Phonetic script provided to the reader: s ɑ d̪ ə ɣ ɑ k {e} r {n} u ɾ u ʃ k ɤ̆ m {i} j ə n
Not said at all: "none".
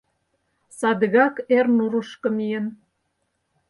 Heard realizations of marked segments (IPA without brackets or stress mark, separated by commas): e, n, i